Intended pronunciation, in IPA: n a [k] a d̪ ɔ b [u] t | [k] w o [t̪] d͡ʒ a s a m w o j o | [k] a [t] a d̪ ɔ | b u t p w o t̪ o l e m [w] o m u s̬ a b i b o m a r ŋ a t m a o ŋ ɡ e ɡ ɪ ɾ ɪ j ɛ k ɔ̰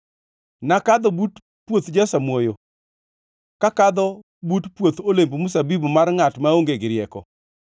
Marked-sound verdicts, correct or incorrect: correct, correct, incorrect, correct, correct, incorrect, incorrect

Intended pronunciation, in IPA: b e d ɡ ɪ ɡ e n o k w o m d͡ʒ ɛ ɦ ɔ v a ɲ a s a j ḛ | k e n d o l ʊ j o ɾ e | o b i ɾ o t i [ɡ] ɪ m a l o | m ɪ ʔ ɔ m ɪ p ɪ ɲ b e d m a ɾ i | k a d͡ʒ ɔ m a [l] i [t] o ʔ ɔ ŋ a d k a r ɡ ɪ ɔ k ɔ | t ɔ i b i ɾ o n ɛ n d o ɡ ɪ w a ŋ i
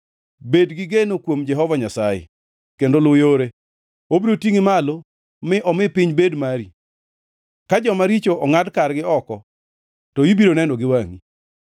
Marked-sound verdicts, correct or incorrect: incorrect, incorrect, incorrect

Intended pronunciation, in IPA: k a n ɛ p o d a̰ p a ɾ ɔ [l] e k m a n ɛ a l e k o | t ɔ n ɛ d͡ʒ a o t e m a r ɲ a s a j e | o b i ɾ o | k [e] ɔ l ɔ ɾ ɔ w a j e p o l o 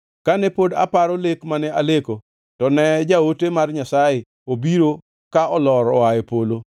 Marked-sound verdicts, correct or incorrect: correct, incorrect

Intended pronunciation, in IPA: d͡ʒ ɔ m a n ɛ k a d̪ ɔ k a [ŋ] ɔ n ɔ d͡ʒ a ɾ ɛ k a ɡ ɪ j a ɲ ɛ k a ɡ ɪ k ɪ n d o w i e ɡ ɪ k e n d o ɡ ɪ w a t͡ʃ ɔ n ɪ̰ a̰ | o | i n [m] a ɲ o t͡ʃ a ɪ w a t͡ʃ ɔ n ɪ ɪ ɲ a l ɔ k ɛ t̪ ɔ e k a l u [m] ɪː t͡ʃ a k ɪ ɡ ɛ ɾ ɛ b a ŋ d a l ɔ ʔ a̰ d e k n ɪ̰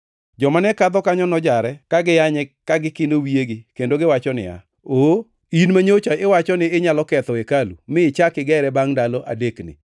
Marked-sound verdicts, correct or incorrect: incorrect, correct, correct

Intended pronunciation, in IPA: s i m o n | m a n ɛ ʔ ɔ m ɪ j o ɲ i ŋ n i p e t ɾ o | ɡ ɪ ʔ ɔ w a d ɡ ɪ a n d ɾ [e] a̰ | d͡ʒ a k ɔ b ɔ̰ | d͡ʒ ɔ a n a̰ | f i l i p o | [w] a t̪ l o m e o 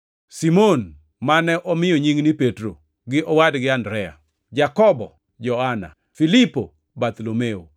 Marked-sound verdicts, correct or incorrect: incorrect, incorrect

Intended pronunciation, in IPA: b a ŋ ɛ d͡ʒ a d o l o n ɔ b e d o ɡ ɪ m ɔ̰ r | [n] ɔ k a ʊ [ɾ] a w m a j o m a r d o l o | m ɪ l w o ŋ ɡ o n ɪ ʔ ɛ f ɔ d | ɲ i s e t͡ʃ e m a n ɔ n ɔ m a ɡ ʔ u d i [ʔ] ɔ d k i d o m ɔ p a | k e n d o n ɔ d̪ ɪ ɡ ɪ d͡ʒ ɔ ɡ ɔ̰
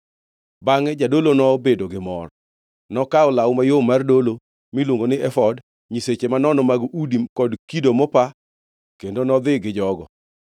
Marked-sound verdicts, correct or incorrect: correct, incorrect, incorrect

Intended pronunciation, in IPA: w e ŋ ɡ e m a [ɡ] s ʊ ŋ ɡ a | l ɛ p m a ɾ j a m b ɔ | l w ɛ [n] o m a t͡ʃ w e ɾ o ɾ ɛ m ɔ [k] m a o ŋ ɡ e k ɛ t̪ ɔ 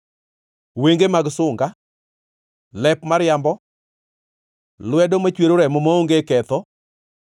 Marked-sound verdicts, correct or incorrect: correct, incorrect, incorrect

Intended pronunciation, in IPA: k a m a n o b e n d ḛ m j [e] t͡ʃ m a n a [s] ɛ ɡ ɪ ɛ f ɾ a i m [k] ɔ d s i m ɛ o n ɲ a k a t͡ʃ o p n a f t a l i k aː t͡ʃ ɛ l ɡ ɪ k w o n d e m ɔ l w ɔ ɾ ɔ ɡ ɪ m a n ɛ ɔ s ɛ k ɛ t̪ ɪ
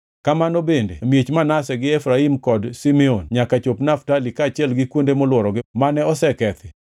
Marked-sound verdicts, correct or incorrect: correct, correct, correct

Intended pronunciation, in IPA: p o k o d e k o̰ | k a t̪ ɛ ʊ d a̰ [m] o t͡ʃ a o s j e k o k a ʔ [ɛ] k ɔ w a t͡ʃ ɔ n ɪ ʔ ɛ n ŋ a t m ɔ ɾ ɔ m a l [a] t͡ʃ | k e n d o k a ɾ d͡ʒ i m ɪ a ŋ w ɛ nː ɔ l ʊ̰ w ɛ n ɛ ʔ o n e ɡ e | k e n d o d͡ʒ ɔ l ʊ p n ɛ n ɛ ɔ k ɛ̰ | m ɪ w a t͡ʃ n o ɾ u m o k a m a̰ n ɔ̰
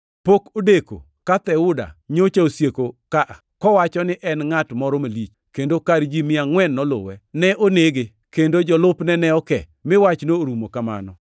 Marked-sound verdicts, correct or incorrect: incorrect, incorrect, incorrect

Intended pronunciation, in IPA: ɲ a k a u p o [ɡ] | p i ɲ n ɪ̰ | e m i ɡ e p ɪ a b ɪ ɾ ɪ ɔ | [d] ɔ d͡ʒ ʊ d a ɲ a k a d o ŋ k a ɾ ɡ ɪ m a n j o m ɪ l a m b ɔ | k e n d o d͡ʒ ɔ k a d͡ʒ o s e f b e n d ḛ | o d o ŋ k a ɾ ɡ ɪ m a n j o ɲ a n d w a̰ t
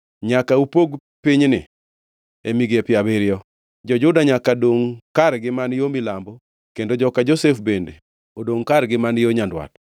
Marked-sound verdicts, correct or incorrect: correct, incorrect

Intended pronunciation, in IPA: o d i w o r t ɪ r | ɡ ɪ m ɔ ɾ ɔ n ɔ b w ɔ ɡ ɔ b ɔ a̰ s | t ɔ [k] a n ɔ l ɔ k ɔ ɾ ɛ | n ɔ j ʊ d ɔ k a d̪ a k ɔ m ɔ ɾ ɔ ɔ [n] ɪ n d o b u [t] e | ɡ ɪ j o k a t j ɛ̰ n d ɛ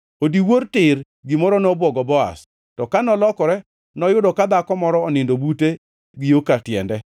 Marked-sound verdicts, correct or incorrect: correct, correct, correct

